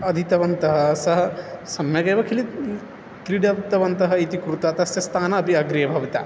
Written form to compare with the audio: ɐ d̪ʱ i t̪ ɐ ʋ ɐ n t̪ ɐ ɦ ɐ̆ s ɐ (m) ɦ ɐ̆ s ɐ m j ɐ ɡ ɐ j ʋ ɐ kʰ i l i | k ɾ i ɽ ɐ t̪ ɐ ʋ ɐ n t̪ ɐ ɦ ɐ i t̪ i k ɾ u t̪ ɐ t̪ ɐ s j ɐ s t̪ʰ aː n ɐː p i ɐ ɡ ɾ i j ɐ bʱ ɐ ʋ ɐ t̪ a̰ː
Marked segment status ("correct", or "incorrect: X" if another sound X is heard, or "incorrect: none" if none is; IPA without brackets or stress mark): incorrect: none